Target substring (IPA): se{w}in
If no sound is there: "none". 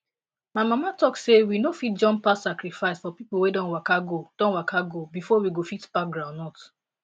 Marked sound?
w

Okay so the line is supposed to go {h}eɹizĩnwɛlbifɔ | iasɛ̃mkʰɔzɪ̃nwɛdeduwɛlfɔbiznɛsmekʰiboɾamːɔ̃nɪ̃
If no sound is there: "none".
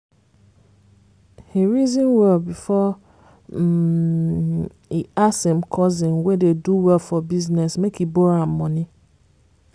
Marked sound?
h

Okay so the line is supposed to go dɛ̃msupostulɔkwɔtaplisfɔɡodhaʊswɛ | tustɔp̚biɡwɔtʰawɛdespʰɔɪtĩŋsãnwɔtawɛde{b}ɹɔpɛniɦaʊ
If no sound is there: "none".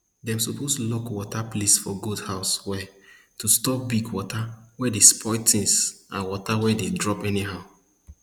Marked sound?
d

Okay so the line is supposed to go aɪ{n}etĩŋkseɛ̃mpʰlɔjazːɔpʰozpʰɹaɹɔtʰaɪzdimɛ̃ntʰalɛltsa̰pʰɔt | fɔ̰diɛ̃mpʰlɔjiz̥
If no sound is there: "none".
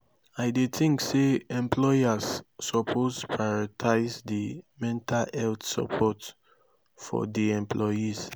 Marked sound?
d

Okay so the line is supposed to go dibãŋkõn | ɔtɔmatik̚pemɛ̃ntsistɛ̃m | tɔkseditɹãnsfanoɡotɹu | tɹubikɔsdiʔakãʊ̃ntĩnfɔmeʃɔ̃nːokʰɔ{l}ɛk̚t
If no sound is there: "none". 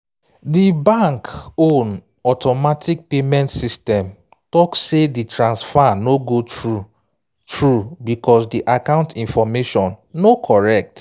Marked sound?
ɹ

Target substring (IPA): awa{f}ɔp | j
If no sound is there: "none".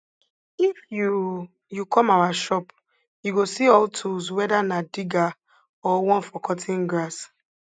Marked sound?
ʃ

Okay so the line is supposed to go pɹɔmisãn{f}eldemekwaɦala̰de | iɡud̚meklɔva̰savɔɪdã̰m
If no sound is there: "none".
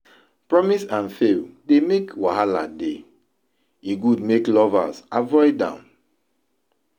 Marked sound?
f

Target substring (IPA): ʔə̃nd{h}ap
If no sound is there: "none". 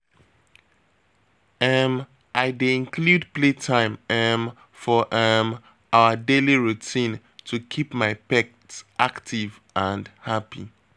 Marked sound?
h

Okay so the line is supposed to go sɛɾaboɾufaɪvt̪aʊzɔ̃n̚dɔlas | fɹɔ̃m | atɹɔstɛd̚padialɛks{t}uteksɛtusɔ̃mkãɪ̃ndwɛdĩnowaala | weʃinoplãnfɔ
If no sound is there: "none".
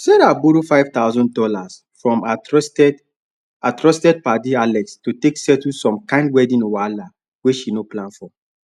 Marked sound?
t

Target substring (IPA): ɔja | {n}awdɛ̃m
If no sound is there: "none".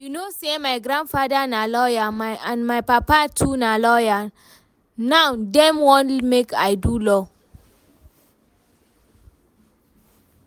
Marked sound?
n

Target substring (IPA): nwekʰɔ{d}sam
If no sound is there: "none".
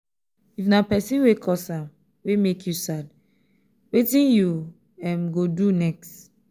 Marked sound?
none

